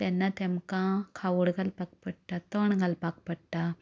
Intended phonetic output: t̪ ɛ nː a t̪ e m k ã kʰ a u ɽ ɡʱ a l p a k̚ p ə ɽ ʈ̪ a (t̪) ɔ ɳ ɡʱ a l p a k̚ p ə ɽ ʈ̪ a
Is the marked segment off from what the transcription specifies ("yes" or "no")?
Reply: no